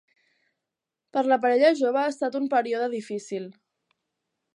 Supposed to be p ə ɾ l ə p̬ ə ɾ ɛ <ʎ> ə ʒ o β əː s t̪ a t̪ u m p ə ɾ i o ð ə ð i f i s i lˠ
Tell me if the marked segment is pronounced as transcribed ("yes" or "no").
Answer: yes